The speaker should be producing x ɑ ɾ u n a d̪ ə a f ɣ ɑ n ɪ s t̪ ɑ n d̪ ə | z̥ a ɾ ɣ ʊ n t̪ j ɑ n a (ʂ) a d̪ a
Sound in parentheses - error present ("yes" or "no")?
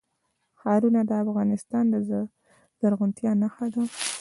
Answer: yes